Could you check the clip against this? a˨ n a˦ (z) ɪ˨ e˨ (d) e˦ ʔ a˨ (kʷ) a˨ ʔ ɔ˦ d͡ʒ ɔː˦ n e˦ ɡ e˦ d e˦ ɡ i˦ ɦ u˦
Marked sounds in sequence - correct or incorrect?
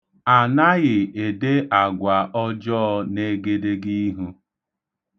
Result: incorrect: ɣ, correct, incorrect: ɡʷ

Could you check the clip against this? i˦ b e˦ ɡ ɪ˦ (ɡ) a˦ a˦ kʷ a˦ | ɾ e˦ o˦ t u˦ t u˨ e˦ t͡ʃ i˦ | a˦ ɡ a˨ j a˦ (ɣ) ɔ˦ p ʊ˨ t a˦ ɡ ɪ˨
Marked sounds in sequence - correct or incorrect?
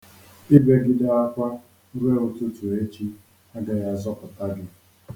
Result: incorrect: d, incorrect: z

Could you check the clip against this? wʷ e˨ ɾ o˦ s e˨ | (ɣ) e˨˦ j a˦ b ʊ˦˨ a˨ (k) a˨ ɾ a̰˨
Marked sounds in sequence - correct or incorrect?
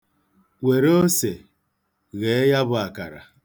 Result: correct, correct

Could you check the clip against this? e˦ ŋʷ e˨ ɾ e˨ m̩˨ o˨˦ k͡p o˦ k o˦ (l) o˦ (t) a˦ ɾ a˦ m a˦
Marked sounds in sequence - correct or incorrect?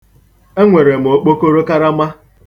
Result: incorrect: ɾ, incorrect: k

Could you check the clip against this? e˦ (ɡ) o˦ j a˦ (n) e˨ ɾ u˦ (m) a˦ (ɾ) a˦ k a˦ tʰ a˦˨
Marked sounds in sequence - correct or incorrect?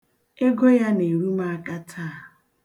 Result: correct, correct, correct, incorrect: none

